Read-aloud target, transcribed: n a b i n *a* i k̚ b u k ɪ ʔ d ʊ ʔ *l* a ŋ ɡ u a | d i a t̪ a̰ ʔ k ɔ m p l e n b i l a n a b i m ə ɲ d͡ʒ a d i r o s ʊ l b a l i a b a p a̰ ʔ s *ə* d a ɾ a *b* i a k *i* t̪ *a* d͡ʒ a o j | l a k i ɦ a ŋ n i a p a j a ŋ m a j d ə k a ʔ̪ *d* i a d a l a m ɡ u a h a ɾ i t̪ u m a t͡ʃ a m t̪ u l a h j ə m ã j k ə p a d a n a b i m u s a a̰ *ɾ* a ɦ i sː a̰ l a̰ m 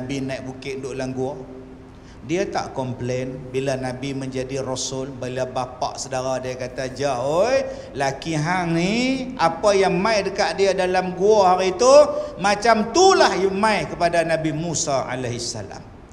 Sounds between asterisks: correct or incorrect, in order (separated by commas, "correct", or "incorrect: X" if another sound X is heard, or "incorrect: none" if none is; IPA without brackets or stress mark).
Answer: correct, correct, correct, incorrect: d, incorrect: a, correct, correct, incorrect: l